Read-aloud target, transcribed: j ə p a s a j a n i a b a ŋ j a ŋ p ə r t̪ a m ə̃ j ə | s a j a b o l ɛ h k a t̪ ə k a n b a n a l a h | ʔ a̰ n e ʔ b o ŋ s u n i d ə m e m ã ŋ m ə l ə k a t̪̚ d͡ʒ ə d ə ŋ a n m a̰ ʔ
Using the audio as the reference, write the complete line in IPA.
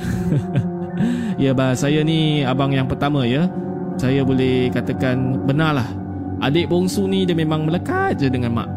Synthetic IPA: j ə b a s a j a n i a b a ŋ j a ŋ p ə r t̪ a m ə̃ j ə | s a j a b o l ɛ h k a t̪ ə k a n b ə n a l a h | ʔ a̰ d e ʔ b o ŋ s u n i d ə m e m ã ŋ m ə l ə k a t̪̚ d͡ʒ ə d ə ŋ a n m a̰ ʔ